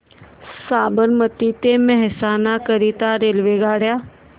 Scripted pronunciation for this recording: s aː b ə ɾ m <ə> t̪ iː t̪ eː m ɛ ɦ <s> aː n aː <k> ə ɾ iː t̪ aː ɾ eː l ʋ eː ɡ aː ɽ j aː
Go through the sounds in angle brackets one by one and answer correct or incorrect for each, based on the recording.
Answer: correct, correct, correct

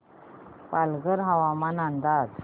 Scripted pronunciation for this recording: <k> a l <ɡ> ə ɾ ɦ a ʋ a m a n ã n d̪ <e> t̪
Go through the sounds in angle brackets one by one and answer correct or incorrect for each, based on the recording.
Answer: incorrect, correct, incorrect

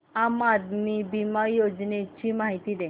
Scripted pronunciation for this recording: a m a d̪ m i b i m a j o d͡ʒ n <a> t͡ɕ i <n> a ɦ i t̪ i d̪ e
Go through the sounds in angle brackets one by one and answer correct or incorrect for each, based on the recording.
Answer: incorrect, incorrect

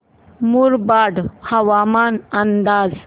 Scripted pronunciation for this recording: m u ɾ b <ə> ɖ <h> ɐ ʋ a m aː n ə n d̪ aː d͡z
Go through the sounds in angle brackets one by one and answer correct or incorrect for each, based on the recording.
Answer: incorrect, correct

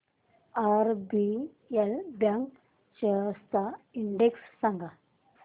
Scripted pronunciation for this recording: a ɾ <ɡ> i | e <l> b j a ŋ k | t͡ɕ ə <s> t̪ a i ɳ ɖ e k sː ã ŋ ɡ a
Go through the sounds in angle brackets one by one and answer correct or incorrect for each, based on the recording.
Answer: incorrect, correct, correct

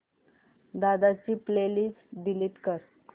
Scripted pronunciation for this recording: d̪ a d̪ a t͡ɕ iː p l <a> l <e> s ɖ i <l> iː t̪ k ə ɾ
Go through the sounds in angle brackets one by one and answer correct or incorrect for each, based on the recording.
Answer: incorrect, incorrect, correct

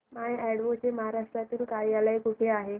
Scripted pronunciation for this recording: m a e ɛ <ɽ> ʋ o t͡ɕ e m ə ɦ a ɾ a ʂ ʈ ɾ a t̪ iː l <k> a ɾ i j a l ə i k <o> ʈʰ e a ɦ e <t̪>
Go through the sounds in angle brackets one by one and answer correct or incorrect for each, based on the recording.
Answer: correct, correct, incorrect, incorrect

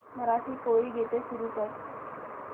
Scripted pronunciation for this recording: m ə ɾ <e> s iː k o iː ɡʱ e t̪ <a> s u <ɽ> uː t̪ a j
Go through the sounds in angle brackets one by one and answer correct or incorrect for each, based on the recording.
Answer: incorrect, incorrect, incorrect

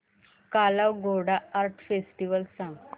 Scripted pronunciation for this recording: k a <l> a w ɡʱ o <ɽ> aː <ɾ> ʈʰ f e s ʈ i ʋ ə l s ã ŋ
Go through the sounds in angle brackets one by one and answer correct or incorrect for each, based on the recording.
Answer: correct, correct, correct

